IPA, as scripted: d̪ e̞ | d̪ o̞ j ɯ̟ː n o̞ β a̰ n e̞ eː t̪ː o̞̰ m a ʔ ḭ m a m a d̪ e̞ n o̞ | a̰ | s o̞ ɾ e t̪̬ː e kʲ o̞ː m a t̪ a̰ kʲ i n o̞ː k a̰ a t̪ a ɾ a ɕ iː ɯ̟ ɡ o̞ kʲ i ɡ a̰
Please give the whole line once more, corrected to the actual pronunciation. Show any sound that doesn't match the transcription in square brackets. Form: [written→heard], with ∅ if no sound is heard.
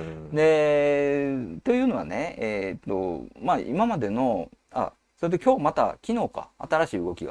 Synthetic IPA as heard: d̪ e̞ | [d̪→t̪] o̞ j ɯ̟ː n o̞ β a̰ n e̞ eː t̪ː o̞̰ m a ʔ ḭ m a m a d̪ e̞ n o̞ | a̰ | s o̞ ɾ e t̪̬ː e kʲ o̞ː m a t̪ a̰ kʲ i n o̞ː k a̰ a t̪ a ɾ a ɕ iː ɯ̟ ɡ o̞ kʲ i ɡ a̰